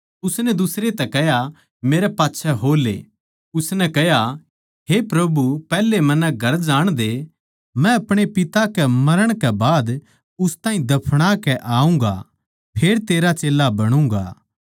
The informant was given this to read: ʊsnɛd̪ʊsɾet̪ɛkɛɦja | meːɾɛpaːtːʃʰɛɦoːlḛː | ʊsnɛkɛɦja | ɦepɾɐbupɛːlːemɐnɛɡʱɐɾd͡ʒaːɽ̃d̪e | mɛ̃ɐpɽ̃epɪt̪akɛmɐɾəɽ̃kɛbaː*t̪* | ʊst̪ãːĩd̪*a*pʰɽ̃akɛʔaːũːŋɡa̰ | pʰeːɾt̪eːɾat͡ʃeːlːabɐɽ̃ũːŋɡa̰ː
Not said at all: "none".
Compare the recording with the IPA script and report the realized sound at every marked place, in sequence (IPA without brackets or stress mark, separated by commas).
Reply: d̪, ɐ